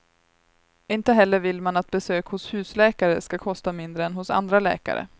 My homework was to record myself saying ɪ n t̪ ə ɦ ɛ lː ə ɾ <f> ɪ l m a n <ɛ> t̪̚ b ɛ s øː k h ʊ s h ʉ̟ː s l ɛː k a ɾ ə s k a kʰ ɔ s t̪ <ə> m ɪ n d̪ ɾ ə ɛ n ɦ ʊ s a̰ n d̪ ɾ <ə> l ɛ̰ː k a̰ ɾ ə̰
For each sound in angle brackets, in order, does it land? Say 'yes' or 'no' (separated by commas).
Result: no, no, no, no